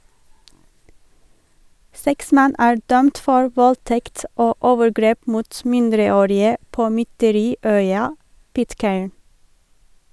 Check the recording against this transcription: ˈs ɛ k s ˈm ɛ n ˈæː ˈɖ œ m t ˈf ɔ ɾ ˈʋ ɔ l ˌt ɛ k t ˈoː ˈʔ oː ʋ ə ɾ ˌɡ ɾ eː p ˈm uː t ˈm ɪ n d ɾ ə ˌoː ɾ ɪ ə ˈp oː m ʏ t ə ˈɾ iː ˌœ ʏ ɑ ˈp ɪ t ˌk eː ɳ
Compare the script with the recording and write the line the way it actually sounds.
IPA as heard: ˈs ɛ k s ˈm ɛ n ˈæː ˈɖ œ m t ˈf ɔ ɹ ˈʋ ɔ l ˌt ɛ k t ˈoː ˈʔ oː ʋ ə ɾ ˌɡ ɾ eː p ˈm uː t ˈm ɪ n d ɾ ə ˌoː ɾ ɪ ə ˈp oː m ʏ t ə ˈɾ iː ˌœ ʏ ɑ ˈp ɪ t ˌk eː ɳ